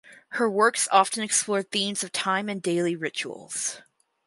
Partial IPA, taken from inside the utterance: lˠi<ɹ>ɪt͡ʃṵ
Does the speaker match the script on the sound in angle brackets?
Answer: yes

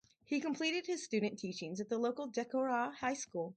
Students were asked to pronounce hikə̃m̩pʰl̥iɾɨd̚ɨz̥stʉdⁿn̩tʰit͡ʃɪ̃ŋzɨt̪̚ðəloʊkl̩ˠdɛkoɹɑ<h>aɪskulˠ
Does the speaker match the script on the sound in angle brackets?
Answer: yes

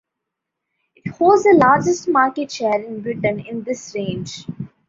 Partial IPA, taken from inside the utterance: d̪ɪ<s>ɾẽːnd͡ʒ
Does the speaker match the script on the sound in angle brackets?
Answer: yes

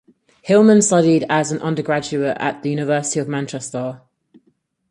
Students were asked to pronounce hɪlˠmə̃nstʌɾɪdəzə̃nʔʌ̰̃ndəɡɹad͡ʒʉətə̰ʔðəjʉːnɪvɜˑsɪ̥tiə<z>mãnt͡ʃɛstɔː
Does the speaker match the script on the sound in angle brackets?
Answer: no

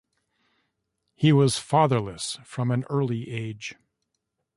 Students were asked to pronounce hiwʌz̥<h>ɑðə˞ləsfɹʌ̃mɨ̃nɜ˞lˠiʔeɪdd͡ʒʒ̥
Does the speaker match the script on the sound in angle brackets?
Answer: no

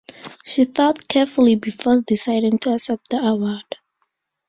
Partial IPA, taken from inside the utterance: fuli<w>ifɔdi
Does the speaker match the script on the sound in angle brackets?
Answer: no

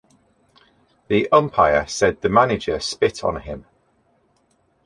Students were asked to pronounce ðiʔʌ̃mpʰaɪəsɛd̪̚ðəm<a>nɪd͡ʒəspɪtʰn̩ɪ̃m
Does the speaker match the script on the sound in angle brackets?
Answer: yes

